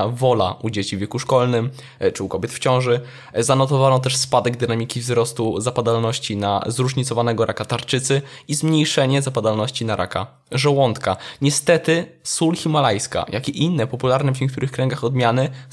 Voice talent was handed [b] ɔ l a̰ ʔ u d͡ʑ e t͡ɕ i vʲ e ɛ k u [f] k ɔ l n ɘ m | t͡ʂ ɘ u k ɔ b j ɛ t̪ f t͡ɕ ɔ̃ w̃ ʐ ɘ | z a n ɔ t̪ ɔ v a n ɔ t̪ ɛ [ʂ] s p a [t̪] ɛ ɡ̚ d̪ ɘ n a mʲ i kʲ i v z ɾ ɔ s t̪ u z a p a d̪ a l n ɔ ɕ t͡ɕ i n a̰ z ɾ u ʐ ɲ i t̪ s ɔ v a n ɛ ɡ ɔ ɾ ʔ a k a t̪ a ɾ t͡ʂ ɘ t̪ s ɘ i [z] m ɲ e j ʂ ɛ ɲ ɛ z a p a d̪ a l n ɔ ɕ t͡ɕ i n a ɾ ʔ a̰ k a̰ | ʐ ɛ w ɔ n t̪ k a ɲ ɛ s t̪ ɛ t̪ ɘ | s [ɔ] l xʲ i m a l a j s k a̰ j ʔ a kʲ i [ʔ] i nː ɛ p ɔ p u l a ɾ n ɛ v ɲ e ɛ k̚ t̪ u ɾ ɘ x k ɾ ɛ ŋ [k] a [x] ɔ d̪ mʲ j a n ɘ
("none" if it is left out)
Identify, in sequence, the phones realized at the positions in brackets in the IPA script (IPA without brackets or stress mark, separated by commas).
v, ʂ, ʂ, d̪, z, u, ʔ, ɡ, x